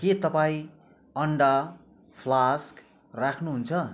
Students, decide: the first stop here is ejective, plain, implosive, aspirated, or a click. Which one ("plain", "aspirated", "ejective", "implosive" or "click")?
plain